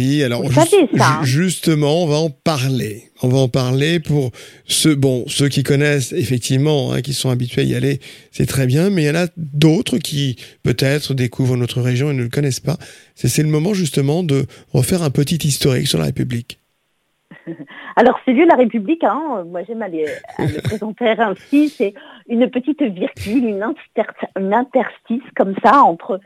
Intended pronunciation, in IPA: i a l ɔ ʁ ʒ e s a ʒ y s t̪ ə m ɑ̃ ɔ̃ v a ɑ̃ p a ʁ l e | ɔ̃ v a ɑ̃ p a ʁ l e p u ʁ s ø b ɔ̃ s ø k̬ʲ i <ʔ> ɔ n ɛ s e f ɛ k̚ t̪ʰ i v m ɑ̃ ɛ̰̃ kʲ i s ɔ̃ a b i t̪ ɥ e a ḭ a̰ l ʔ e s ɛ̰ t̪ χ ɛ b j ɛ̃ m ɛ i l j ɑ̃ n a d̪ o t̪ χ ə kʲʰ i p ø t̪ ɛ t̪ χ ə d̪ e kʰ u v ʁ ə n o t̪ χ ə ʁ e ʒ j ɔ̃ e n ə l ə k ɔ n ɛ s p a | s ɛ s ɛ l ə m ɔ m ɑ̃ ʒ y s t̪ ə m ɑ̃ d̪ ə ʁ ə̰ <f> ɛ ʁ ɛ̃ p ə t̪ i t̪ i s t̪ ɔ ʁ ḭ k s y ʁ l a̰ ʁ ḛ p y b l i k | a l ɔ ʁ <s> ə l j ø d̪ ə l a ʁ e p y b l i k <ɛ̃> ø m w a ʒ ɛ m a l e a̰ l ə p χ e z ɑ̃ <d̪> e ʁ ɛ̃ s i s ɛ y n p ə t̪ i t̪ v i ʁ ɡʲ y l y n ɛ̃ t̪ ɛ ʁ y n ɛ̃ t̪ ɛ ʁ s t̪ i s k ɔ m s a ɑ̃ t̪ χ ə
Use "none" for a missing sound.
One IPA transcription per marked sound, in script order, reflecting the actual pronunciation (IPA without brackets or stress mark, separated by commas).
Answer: k, f, s, ɛ̃, t̪